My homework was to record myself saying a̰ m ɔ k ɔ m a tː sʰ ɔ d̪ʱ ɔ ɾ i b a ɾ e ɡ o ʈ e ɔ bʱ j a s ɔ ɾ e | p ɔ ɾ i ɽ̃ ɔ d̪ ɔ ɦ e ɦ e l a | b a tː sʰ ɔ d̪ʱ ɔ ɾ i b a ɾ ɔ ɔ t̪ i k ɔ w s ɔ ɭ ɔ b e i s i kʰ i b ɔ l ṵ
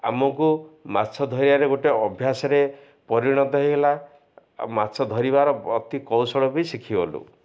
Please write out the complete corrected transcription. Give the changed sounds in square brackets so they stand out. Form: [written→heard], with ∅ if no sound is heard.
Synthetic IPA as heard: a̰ m ɔ k [ɔ→u] m a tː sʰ ɔ d̪ʱ ɔ ɾ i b a ɾ e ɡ o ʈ e ɔ bʱ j a s ɔ ɾ e | p ɔ ɾ i ɽ̃ ɔ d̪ ɔ ɦ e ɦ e l a | [b→m] a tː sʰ ɔ d̪ʱ ɔ ɾ i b a ɾ ɔ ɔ t̪ i k ɔ w s ɔ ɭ ɔ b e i s i kʰ i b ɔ l ṵ